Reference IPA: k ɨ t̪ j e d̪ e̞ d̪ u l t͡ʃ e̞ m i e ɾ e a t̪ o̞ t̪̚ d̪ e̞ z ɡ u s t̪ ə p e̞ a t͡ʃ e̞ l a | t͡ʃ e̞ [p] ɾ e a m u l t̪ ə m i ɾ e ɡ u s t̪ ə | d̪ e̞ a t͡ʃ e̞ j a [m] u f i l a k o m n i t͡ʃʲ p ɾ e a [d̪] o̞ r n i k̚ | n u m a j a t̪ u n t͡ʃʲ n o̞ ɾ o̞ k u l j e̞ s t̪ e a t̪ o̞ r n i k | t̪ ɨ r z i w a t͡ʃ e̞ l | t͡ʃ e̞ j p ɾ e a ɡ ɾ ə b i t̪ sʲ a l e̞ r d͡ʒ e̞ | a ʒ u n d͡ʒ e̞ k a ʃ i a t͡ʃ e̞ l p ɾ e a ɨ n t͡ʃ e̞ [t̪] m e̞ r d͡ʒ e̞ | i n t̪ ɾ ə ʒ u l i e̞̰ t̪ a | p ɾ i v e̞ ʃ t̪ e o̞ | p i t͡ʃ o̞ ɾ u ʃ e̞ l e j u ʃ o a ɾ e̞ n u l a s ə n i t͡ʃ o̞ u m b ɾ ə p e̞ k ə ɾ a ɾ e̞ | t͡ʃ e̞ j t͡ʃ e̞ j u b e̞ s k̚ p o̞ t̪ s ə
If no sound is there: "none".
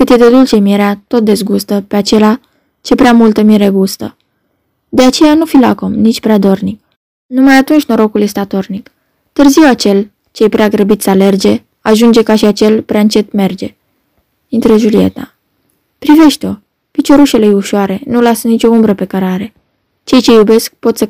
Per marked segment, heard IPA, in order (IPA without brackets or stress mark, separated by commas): p, n, d̪, t̪